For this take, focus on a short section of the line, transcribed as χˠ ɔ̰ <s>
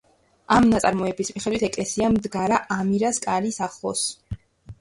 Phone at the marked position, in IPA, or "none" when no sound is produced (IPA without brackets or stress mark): s